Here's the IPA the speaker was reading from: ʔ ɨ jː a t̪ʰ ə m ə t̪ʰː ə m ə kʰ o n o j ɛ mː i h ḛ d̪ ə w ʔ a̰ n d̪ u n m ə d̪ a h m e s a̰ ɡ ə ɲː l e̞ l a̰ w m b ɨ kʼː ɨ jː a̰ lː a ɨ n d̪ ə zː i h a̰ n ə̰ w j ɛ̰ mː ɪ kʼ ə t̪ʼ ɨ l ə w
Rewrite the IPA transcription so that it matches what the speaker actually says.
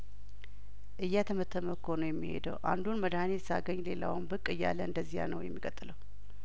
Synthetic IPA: ʔ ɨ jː a t̪ʰ ə m ə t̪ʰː ə m ə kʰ o n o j ɛ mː i h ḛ d̪ ə w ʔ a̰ n d̪ u n m ə d̪ a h n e s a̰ ɡ ə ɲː l e̞ l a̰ w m b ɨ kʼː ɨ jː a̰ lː ə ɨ n d̪ ə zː i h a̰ n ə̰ w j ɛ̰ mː i kʼ ə t̪ʼ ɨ l ə w